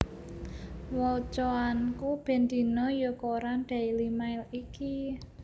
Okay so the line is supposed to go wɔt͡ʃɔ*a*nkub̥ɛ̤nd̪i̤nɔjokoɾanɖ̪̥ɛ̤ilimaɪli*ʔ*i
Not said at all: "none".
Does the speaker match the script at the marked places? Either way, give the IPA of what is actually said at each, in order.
a, k

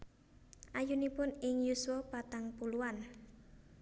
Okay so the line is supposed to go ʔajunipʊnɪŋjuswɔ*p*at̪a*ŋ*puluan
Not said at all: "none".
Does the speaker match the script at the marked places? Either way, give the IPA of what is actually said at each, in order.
p, ŋ

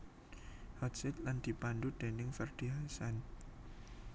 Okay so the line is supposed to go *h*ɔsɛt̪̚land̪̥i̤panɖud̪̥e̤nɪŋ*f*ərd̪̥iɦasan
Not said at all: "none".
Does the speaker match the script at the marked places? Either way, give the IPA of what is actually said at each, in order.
h, f

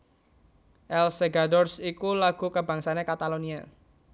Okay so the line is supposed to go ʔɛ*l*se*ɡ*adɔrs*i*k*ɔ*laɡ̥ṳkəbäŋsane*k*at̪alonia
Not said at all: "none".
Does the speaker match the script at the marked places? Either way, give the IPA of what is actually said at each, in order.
l, ɡ, i, u, k

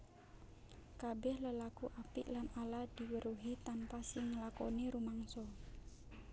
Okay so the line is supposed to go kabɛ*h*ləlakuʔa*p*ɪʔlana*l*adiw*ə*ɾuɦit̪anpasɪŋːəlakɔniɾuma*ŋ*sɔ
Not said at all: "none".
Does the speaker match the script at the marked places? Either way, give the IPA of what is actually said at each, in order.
h, p, l, ə, ŋ

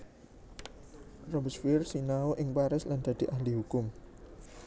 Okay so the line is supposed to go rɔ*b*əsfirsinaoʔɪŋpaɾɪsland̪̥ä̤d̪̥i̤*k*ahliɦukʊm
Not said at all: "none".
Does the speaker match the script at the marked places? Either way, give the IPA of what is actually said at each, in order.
b, ʔ

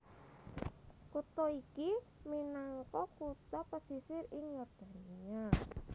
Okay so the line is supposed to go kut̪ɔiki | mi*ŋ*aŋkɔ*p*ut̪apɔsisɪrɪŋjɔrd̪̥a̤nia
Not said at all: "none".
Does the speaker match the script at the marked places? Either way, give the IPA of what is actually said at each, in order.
n, k

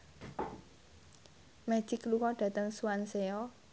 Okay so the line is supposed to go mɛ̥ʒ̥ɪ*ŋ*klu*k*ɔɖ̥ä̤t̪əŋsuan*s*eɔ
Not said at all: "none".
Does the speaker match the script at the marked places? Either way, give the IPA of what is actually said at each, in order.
none, k, s

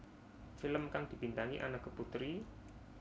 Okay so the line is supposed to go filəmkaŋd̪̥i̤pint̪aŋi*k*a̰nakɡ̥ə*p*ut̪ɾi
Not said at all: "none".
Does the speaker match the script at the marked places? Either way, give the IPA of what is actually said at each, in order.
ʔ, p

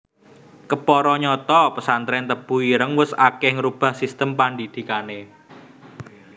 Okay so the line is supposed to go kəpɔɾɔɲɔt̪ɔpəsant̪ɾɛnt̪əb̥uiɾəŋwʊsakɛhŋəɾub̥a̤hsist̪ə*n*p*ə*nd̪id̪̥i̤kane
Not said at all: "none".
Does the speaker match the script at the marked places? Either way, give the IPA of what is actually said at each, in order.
m, a

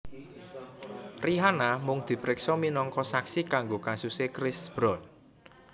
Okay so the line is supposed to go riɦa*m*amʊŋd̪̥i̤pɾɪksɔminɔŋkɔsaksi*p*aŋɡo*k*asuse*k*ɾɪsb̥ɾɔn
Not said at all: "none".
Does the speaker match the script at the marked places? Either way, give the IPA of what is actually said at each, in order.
n, k, k, k

